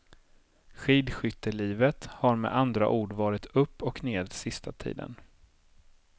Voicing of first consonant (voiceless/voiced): voiceless